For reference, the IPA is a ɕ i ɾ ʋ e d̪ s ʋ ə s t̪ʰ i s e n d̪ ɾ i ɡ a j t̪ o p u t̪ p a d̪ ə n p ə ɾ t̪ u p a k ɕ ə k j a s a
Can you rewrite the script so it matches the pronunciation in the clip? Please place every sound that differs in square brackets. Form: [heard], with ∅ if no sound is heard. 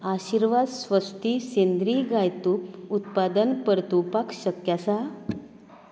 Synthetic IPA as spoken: a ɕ i ɾ ʋ [a] d̪ s ʋ ə s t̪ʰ i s e n d̪ ɾ i ɡ a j t̪ [u] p u t̪ p a d̪ ə n p ə ɾ t̪ u p a k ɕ ə k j a s a